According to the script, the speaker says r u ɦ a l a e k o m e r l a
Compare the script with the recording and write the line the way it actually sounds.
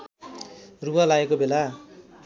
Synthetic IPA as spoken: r u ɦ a l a e k o b e l a